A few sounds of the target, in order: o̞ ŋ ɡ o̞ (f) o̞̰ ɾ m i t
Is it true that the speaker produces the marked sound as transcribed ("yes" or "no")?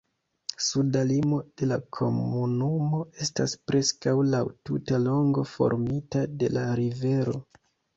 yes